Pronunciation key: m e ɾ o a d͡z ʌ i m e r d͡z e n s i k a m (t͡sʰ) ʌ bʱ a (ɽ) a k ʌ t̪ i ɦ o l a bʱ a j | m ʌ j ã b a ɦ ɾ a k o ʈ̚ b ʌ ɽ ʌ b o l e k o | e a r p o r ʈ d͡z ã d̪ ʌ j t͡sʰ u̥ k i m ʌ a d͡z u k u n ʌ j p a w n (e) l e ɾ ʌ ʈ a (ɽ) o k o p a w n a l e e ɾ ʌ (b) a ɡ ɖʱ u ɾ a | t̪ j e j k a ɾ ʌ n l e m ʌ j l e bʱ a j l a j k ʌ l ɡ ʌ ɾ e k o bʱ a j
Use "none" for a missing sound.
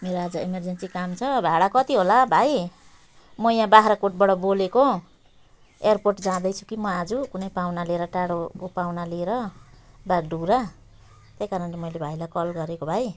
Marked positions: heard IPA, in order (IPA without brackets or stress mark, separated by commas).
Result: t͡sʰ, ɽ, a, ɽ, b